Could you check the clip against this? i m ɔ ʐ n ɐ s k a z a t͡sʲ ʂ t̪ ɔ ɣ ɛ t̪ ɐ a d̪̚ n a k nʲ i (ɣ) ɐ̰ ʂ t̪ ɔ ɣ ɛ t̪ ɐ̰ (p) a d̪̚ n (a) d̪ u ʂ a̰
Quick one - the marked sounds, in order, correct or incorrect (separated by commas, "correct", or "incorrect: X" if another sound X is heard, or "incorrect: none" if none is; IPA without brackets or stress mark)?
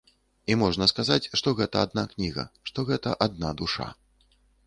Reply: correct, incorrect: ʔ, correct